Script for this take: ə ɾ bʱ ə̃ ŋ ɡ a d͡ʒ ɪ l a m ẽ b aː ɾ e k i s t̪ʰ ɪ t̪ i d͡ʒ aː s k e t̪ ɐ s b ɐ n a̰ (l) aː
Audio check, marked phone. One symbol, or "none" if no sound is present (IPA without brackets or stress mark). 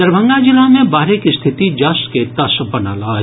l